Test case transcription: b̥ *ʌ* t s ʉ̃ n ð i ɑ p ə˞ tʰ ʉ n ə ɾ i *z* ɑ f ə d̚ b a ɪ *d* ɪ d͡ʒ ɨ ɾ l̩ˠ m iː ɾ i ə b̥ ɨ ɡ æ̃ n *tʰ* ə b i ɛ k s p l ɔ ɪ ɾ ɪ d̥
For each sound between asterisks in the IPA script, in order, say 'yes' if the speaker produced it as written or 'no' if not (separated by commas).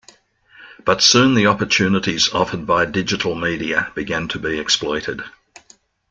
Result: yes, yes, yes, yes